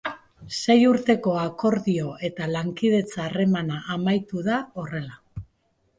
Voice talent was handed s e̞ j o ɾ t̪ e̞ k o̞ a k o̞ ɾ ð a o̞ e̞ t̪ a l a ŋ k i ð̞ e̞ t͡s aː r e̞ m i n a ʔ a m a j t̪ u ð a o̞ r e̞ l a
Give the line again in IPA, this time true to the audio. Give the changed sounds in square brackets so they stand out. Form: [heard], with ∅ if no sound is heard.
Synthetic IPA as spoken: s e̞ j [u] ɾ t̪ e̞ k o̞ a k o̞ ɾ ð [i] o̞ e̞ t̪ a l a ŋ k i ð̞ e̞ t͡s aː r e̞ m [a] n a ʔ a m a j t̪ u ð a o̞ r e̞ l a